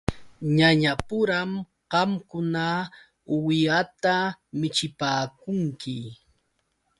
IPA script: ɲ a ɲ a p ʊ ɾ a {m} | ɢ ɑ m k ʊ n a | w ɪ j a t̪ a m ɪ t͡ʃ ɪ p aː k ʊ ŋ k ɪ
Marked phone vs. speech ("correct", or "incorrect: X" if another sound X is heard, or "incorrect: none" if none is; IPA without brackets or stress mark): correct